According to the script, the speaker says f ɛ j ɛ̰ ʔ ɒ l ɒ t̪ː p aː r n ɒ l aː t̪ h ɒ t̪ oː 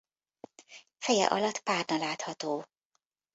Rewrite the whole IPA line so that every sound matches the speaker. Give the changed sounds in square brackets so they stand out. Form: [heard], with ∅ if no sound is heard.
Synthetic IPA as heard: f ɛ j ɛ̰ ʔ ɒ l ɒ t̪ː p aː r n ɒ l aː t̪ h ɒ t̪ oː